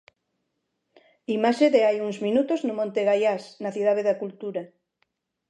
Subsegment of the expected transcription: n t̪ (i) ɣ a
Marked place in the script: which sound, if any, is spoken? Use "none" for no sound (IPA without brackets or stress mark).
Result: e